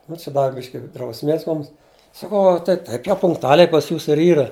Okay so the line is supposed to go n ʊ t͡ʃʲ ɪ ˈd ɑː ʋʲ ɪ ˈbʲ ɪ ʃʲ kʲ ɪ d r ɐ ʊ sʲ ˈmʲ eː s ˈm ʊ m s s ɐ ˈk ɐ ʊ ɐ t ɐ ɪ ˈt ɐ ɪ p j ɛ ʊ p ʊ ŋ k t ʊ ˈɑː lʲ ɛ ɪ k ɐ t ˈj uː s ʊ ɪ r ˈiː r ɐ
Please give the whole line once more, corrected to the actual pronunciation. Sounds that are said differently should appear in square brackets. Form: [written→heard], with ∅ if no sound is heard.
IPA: n ʊ t͡ʃʲ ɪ ˈd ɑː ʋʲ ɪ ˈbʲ ɪ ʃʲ kʲ ɪ d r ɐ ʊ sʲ ˈmʲ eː s ˈm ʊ m s s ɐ ˈk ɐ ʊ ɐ t ɐ ɪ ˈt ɐ ɪ p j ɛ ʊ p ʊ ŋ k t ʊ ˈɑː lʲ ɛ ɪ [k→p] ɐ [t→s] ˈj uː s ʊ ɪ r ˈiː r ɐ